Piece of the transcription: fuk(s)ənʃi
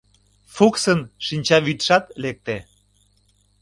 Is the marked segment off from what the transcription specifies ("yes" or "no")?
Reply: no